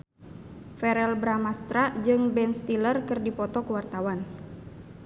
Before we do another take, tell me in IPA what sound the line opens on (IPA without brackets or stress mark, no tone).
f